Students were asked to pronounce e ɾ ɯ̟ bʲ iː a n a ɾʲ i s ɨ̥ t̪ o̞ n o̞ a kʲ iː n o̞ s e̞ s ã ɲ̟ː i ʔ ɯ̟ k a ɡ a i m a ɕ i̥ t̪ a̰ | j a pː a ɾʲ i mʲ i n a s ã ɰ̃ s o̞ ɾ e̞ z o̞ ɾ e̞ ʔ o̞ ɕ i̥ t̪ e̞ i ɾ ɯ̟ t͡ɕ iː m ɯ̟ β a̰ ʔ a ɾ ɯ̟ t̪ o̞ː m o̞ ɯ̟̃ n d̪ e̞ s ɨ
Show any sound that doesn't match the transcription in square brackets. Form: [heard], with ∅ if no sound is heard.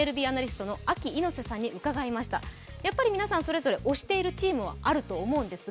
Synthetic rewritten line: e ɾ ɯ̟ bʲ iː a n a ɾʲ i s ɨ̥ t̪ o̞ n o̞ a kʲ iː n o̞ s e̞ s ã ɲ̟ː i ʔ ɯ̟ k a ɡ a i m a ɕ i̥ t̪ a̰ | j a pː a ɾʲ i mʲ i n a s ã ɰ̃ s o̞ ɾ e̞ z o̞ ɾ e̞ ʔ o̞ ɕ i̥ t̪ e̞ i ɾ ɯ̟ t͡ɕ iː m ɯ̟ β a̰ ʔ a ɾ ɯ̟ t̪ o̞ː m o̞ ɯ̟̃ n d̪ e̞ s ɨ

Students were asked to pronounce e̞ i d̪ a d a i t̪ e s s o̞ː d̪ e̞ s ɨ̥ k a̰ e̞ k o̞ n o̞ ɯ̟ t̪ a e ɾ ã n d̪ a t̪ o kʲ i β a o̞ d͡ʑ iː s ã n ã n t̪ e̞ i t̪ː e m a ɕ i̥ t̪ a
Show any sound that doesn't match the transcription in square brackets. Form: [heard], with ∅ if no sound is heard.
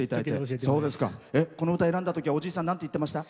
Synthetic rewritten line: e̞ i [t̪] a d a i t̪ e s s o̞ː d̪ e̞ s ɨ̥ k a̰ e̞ k o̞ n o̞ ɯ̟ t̪ a e ɾ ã n d̪ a t̪ o kʲ i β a o̞ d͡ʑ iː s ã n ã n t̪ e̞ i t̪ː e m a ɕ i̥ t̪ a

